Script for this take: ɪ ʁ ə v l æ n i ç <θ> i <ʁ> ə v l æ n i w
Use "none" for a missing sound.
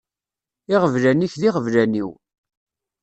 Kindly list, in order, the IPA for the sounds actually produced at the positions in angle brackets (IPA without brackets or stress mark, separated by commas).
ð, ʁ